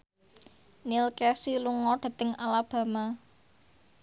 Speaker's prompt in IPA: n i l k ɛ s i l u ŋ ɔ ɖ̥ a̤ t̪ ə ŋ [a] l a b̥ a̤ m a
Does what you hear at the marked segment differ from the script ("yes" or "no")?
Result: no